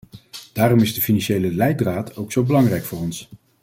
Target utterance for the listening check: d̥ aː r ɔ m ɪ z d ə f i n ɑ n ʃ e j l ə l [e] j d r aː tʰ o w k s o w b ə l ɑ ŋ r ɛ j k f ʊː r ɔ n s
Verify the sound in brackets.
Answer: incorrect: ɛ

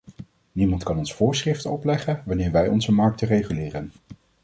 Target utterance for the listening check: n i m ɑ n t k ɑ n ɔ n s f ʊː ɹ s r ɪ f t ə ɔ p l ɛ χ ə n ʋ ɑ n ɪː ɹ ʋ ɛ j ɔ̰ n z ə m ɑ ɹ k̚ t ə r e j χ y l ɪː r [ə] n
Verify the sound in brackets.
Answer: correct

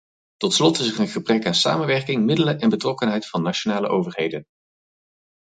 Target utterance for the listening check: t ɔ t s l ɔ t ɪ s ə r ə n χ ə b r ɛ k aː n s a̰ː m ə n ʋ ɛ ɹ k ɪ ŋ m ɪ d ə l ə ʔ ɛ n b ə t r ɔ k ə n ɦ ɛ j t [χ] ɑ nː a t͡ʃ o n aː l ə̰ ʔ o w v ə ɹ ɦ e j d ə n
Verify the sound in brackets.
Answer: incorrect: f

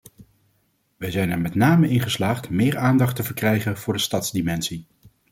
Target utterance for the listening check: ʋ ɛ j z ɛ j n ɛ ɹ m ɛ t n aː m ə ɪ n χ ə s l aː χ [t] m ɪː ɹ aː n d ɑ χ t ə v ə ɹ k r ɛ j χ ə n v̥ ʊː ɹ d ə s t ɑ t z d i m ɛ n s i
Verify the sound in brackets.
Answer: correct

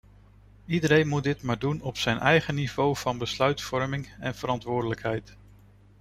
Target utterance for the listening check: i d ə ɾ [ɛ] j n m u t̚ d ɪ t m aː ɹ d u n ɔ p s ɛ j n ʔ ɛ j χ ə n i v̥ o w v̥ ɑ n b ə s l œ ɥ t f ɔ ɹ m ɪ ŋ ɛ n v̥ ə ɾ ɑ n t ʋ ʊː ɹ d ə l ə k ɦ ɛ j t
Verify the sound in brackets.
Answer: incorrect: e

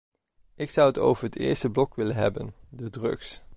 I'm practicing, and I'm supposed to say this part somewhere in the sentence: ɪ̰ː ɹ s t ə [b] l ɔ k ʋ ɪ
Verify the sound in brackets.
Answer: correct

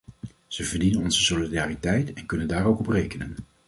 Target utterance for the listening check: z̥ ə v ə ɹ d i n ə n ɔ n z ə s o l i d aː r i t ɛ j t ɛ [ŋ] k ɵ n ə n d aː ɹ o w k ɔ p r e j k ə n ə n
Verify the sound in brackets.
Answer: incorrect: n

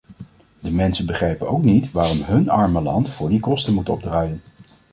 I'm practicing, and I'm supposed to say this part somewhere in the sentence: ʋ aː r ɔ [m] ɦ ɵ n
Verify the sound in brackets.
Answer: correct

